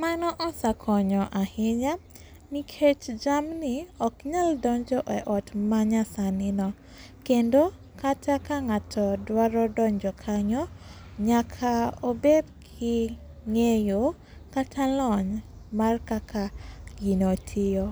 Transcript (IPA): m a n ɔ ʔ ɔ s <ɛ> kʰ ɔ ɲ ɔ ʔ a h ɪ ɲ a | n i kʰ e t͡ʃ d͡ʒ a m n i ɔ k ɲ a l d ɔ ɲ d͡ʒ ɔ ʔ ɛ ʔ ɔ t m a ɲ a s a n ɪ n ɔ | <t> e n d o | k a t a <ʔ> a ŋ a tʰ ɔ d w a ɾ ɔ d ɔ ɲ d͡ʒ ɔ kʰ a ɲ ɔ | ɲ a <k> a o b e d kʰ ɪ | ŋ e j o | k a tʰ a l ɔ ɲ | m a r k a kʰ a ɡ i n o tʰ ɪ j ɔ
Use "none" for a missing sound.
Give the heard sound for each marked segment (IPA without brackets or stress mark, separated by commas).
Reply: a, k, k, kʰ